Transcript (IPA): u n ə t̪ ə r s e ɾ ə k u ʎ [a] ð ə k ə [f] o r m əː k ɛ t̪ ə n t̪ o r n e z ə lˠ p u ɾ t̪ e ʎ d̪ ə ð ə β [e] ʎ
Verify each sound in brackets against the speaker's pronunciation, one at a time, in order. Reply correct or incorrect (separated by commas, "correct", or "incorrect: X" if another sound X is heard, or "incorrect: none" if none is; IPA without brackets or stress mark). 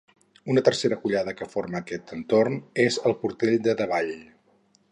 correct, correct, incorrect: a